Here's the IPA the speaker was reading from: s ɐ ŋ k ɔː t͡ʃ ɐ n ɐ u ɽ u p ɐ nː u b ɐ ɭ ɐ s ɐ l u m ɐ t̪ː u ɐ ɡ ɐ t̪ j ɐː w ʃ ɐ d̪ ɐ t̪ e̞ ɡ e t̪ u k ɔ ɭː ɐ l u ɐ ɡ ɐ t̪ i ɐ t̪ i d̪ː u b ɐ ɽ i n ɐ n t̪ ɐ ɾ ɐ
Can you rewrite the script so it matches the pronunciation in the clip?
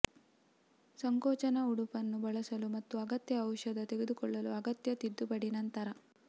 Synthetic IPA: s ɐ ŋ k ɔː t͡ʃ ɐ n ɐ u ɽ u p ɐ nː u b ɐ ɭ ɐ s ɐ l u m ɐ t̪ː u ɐ ɡ ɐ t̪ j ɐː w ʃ ɐ d̪ ɐ t̪ e̞ ɡ e d̪ u k ɔ ɭː ɐ l u ɐ ɡ ɐ t̪ j ɐ t̪ i d̪ː u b ɐ ɽ i n ɐ n t̪ ɐ ɾ ɐ